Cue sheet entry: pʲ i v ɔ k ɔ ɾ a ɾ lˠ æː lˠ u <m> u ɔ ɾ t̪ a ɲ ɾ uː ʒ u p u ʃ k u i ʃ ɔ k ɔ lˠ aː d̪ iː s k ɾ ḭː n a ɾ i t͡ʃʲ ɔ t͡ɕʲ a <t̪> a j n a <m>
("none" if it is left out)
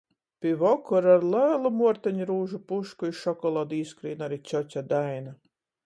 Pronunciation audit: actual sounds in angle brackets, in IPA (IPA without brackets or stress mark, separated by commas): m, d̪, none